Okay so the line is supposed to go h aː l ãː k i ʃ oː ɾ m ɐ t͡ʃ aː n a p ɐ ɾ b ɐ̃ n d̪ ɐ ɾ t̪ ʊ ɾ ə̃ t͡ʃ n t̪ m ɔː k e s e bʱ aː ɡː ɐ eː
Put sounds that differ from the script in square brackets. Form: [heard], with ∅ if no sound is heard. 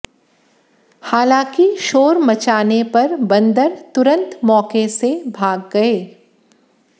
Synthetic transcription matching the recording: h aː l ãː k i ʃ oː ɾ m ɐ t͡ʃ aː n [e] p ɐ ɾ b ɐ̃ n d̪ [ə] ɾ t̪ ʊ ɾ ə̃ [∅] n t̪ m ɔː k e s e bʱ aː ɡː ɐ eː